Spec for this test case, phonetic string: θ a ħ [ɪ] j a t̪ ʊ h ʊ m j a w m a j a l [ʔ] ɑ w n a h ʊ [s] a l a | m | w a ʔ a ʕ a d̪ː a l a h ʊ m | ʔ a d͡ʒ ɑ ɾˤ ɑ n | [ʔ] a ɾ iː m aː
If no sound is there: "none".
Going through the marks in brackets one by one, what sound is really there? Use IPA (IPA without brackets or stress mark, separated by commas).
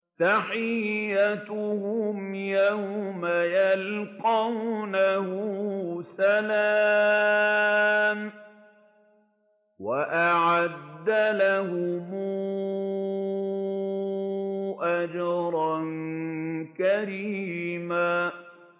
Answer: ɪ, q, s, k